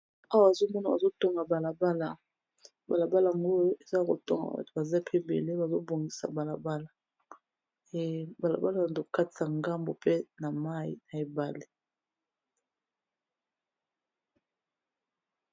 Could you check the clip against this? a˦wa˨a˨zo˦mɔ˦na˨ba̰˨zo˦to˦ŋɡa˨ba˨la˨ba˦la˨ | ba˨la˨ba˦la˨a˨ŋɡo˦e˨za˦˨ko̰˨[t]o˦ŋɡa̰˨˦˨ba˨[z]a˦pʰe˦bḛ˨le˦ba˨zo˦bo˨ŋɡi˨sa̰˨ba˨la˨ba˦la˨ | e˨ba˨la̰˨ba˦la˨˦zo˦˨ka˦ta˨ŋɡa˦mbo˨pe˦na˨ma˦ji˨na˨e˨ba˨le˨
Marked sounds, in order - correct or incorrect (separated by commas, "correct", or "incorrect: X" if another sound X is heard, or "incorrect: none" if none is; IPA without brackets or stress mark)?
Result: correct, correct